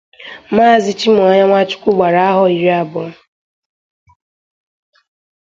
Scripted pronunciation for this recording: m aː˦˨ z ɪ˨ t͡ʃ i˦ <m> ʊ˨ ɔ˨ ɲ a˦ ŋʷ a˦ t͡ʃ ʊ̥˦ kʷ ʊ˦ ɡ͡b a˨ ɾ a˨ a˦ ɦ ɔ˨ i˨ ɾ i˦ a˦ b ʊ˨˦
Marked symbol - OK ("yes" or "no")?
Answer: yes